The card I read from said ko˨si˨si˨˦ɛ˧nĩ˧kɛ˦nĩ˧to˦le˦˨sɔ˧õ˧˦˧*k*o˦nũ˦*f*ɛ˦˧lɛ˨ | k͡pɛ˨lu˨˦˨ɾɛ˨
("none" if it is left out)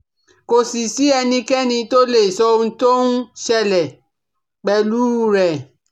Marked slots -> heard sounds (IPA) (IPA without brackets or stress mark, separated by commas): t, ʃ